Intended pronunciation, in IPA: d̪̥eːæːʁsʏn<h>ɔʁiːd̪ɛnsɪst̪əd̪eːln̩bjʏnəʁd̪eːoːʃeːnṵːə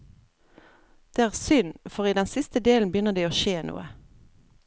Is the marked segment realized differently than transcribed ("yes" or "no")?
yes